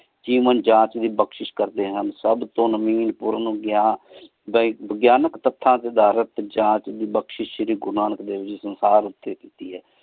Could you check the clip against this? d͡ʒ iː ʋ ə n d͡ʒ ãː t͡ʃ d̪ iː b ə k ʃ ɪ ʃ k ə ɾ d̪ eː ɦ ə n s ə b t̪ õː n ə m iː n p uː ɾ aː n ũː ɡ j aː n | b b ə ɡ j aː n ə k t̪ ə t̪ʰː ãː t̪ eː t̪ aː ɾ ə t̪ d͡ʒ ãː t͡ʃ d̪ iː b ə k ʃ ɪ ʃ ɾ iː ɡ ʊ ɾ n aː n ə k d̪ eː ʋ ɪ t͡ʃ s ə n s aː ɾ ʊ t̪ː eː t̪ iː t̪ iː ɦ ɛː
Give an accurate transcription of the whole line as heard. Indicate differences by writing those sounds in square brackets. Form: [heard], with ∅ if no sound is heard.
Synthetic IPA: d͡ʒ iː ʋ ə n d͡ʒ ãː t͡ʃ d̪ iː b ə k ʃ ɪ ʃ k ə ɾ d̪ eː ɦ ə n s ə b t̪ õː n ə m iː n p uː ɾ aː n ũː ɡ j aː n | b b ə ɡ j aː n ə k t̪ ə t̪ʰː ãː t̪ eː [d̪] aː ɾ ə t̪ d͡ʒ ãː t͡ʃ d̪ iː b ə k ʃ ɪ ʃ ɾ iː ɡ ʊ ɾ n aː n ə k d̪ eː ʋ ɪ t͡ʃ s ə n s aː ɾ ʊ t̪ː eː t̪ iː t̪ iː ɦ ɛː